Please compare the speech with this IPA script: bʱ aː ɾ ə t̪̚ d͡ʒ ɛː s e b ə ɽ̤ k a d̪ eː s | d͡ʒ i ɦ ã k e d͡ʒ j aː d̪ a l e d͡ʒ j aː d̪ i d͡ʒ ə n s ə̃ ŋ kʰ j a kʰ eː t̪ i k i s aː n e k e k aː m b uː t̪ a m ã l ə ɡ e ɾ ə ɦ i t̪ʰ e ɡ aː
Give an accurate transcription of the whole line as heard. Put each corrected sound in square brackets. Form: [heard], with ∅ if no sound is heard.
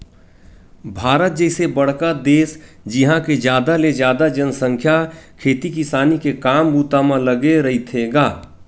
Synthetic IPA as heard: bʱ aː ɾ ə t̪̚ d͡ʒ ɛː s e b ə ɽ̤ k a d̪ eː s | d͡ʒ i ɦ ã k e d͡ʒ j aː d̪ a l e d͡ʒ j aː d̪ [a] d͡ʒ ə n s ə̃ ŋ kʰ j a kʰ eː t̪ i k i s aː n [i] k e k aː m b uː t̪ a m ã l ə ɡ e ɾ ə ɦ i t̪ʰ e ɡ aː